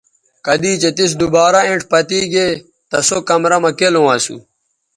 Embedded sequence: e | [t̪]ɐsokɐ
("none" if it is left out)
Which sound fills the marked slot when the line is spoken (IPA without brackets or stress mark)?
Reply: t̪